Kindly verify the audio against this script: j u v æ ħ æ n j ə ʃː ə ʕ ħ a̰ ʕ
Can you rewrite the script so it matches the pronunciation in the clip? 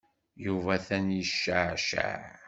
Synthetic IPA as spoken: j u v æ θ æ n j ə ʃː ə ʕ ʃ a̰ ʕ